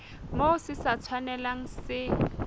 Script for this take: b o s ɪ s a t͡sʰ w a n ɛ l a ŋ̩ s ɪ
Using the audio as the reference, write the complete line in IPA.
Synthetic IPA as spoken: m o s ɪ s a t͡sʰ w a n ɛ l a ŋ̩ s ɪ